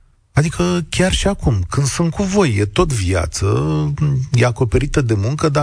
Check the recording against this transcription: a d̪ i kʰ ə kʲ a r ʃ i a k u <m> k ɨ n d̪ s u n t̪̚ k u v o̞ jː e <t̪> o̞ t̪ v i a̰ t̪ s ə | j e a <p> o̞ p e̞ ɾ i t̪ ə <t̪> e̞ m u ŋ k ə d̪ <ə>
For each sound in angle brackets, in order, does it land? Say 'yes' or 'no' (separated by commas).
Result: yes, yes, no, no, no